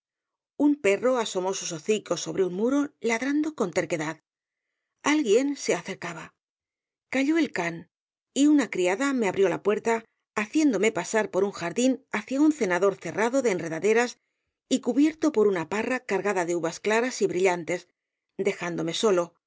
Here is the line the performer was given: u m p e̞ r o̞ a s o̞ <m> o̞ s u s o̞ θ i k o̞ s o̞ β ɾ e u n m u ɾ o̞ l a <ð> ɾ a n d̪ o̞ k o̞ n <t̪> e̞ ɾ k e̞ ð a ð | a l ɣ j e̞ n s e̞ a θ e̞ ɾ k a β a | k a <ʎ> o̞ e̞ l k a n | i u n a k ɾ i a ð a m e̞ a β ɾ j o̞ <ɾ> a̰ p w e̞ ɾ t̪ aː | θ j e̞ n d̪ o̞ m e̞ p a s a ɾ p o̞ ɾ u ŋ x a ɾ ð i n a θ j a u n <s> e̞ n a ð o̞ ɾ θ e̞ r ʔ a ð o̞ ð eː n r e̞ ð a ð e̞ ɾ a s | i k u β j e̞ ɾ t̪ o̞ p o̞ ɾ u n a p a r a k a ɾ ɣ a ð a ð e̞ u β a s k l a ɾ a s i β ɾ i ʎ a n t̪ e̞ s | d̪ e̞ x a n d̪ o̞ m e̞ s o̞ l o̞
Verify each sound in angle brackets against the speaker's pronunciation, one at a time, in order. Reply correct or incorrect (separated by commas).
correct, correct, correct, correct, incorrect, incorrect